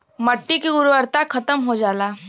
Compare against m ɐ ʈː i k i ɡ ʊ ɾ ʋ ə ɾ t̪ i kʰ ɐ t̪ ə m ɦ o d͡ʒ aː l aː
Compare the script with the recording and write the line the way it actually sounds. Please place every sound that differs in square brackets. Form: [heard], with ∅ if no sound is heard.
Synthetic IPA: m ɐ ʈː i k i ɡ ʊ ɾ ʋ ə ɾ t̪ [a] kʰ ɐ t̪ ə m ɦ o d͡ʒ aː l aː